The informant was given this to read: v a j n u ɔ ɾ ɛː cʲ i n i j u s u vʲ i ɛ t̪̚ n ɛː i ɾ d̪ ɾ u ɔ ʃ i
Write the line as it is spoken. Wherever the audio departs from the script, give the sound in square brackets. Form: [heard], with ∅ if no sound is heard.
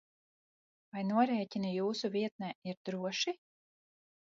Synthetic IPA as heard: v a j n u ɔ ɾ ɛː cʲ i n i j [uː] s u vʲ i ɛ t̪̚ n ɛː i ɾ d̪ ɾ u ɔ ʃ i